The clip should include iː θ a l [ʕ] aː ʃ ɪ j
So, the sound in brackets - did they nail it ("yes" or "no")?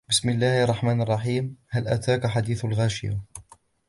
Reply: no